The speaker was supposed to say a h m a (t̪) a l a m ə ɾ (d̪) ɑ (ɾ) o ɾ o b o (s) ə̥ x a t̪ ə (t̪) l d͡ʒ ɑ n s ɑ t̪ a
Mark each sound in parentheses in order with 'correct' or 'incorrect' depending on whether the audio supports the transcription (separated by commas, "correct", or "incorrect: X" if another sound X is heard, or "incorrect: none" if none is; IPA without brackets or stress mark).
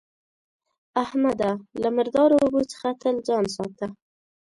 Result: incorrect: d̪, correct, correct, incorrect: t͡s, incorrect: none